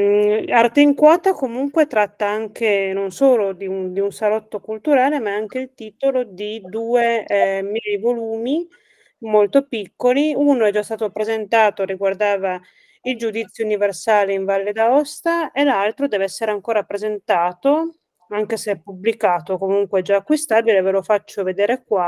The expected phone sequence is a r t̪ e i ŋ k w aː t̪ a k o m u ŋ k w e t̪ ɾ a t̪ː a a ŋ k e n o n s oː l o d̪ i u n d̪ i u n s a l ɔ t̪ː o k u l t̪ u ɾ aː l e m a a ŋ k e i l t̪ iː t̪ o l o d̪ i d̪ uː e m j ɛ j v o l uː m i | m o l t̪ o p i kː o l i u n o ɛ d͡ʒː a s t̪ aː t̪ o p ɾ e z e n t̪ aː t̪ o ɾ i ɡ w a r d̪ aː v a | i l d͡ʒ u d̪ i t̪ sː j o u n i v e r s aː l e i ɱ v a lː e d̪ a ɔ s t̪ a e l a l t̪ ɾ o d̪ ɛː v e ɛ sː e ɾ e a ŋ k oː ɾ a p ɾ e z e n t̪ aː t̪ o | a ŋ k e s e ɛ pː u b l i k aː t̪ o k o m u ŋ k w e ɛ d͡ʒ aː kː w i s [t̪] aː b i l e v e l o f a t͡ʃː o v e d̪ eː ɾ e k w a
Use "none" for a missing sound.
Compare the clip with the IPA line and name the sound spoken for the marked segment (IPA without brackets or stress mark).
t̪